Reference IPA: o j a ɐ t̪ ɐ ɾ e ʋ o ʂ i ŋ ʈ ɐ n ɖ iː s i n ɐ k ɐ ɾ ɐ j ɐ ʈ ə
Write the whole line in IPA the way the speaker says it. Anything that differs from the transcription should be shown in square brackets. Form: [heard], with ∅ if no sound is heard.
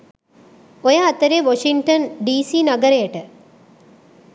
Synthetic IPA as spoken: o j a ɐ t̪ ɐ ɾ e ʋ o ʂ i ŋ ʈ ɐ n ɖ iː s i n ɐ [ɡ] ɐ ɾ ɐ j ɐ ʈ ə